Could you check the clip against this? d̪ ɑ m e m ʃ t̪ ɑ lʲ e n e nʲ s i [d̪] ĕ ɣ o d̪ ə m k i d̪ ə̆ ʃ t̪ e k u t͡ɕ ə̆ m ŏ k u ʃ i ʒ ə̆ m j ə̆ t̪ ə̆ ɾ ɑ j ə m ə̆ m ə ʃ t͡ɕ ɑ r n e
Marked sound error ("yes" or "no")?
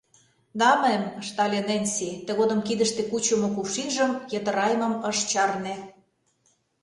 yes